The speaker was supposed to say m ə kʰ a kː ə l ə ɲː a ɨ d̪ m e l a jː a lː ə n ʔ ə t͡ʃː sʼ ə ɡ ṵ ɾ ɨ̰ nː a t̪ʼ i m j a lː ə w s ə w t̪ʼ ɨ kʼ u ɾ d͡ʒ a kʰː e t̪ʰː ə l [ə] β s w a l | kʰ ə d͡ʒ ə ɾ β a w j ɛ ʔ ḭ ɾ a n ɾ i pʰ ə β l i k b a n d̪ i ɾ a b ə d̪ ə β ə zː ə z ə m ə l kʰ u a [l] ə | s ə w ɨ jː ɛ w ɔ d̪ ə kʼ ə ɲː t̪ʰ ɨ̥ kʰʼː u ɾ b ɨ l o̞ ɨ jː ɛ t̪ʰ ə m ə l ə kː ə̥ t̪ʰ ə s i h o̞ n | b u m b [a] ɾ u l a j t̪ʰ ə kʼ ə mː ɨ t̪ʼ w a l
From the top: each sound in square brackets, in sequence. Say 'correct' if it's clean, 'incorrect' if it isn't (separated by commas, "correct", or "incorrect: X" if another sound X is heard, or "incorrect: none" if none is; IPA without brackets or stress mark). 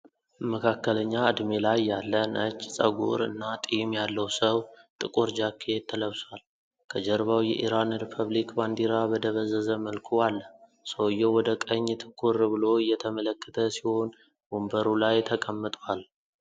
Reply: correct, incorrect: lː, incorrect: ə